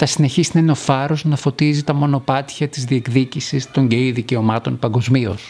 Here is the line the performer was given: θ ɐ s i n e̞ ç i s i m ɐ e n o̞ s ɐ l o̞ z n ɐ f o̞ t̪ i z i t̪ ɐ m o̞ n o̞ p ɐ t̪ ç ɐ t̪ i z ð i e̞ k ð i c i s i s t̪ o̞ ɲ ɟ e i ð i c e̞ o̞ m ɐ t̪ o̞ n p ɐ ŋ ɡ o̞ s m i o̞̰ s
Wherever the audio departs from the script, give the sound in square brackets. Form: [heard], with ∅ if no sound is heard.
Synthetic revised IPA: θ ɐ s i n e̞ ç i s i [n] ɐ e n o̞ [f] ɐ [ɾ] o̞ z n ɐ f o̞ t̪ i z i t̪ ɐ m o̞ n o̞ p ɐ t̪ ç ɐ t̪ i z ð i e̞ k ð i c i s i s t̪ o̞ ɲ ɟ e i ð i c e̞ o̞ m ɐ t̪ o̞ n p ɐ ŋ ɡ o̞ [z] m i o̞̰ s